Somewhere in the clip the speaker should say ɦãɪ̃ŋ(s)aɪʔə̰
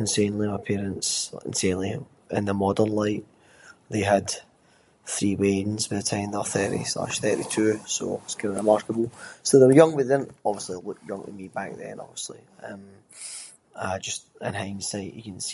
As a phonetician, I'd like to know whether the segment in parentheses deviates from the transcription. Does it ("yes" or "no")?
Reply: no